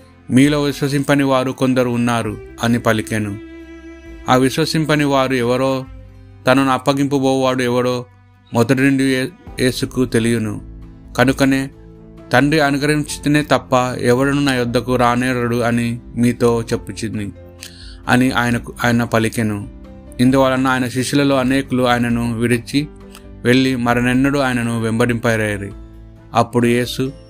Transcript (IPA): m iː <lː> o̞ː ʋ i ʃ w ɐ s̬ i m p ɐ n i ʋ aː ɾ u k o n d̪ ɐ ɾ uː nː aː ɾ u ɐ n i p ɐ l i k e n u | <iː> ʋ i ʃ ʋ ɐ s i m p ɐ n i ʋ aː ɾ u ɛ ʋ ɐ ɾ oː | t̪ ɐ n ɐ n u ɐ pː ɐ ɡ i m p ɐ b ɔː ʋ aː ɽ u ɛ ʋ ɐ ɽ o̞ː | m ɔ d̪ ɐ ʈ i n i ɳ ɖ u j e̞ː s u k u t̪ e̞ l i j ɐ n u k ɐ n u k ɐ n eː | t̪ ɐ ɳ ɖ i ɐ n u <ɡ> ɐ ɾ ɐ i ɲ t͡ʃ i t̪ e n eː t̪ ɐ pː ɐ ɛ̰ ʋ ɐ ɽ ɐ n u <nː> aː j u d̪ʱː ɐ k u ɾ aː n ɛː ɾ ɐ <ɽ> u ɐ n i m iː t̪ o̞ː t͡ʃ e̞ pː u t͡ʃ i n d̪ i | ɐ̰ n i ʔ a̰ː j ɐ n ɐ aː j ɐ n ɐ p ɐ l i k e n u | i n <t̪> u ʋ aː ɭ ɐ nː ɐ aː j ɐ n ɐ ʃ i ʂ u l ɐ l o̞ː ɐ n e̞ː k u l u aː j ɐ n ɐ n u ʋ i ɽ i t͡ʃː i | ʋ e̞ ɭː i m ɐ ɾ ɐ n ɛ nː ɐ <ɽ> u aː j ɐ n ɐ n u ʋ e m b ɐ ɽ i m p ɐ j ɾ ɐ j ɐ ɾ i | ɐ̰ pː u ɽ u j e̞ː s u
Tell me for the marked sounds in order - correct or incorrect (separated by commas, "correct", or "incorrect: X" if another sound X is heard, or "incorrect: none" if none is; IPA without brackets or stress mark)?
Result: incorrect: l, incorrect: aː, correct, incorrect: n, correct, incorrect: d̪, correct